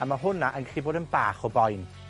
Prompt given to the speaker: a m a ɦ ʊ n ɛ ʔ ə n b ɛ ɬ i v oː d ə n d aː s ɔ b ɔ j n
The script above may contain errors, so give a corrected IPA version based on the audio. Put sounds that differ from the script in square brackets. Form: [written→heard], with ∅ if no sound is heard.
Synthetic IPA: a m a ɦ ʊ n [ɛ→a] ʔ ə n [b→ɡ] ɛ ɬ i [v→b] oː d ə n [d→b] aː [s→χ] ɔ b ɔ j n